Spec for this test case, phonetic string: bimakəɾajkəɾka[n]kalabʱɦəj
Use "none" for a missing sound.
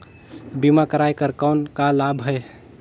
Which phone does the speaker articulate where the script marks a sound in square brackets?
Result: n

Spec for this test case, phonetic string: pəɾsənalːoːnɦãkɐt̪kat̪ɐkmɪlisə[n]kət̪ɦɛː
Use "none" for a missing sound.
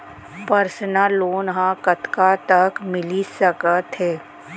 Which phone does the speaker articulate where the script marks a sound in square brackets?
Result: none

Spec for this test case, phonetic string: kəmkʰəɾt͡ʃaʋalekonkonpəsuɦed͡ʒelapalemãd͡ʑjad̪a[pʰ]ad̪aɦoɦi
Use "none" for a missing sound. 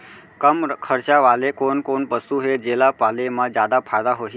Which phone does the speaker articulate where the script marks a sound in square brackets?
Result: pʰ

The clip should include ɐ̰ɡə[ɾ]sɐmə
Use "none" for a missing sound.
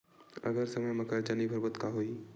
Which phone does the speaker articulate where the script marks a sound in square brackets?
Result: ɾ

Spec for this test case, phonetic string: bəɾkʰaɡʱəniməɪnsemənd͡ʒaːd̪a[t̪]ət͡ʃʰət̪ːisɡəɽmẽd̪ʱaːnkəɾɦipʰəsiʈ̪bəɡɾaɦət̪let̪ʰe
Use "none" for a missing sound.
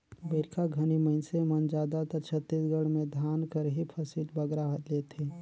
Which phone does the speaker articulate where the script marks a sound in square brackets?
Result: t̪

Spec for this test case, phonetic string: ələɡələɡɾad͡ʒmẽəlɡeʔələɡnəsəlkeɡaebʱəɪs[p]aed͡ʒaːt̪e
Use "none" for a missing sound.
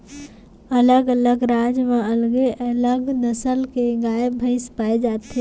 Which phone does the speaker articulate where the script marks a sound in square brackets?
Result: p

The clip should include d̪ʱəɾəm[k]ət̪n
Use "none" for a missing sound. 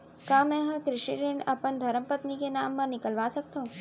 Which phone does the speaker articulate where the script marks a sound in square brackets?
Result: p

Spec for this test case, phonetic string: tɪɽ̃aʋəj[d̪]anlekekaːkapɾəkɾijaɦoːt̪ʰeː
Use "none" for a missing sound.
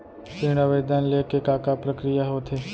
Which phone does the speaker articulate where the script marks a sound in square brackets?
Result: d̪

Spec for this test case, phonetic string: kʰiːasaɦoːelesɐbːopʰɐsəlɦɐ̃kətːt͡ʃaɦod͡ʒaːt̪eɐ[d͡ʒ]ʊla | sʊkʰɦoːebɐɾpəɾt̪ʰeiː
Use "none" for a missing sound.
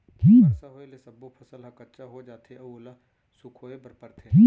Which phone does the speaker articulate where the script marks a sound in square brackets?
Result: none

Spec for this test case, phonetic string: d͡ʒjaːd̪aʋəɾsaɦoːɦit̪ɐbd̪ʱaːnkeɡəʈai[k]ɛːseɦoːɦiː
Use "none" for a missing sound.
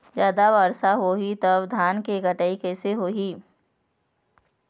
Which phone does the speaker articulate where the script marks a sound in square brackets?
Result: k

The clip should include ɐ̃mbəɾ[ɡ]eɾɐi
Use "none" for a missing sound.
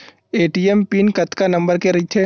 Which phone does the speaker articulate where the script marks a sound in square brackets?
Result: k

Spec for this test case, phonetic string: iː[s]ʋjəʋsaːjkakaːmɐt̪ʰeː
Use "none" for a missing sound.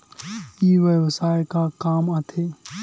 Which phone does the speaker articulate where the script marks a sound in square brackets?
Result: none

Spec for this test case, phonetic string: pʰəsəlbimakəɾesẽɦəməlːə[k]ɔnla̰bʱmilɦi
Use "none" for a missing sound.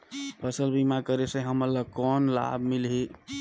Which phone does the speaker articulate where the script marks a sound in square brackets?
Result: k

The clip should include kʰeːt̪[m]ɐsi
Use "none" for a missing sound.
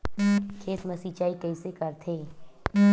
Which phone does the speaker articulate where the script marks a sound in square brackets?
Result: m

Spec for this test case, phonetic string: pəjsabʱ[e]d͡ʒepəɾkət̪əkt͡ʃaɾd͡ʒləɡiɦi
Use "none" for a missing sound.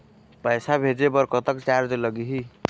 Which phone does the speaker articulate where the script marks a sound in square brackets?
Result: e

